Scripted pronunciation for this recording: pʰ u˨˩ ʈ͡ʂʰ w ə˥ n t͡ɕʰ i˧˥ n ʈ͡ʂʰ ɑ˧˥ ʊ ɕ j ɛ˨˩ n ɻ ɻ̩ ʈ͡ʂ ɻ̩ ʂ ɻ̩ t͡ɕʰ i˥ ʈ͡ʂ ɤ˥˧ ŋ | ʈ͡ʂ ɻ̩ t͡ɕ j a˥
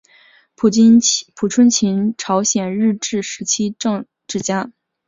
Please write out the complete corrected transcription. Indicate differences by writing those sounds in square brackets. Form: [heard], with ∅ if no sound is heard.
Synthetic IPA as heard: pʰ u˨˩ ʈ͡ʂʰ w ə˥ n t͡ɕʰ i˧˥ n ʈ͡ʂʰ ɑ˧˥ ʊ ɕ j ɛ˨˩ n ɻ ɻ̩ ʈ͡ʂ ɻ̩ ʂ ɻ̩ t͡ɕʰ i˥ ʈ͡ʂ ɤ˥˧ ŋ | ʈ͡ʂ ɻ̩ t͡ɕ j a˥